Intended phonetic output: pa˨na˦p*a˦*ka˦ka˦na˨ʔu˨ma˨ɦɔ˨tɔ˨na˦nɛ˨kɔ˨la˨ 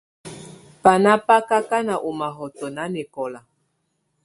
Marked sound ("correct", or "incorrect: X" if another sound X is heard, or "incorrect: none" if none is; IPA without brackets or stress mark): correct